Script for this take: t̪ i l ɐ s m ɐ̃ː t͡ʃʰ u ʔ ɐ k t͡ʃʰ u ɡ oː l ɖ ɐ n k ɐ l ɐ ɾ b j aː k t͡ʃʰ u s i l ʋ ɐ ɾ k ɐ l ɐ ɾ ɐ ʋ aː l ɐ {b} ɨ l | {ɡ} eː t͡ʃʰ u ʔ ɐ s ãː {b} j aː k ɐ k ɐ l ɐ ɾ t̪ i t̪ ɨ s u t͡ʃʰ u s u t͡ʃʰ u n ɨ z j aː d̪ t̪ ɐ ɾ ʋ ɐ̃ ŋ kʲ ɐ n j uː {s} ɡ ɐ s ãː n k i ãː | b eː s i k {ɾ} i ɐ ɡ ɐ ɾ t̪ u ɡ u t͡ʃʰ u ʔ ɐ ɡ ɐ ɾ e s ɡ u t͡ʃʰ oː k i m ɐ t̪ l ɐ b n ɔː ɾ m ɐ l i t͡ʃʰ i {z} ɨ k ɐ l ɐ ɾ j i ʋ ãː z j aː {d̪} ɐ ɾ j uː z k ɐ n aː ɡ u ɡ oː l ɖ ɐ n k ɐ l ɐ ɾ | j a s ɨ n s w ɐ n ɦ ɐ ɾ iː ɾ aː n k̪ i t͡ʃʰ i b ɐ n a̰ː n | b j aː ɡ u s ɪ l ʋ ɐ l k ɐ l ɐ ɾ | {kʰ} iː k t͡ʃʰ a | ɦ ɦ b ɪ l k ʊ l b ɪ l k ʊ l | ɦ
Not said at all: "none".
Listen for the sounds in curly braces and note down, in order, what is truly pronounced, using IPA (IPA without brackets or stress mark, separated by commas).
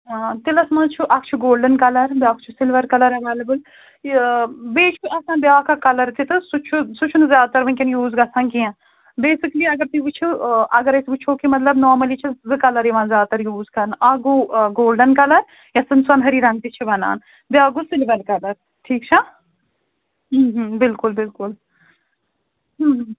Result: b, b, b, z, l, z, t̪, ʈʰ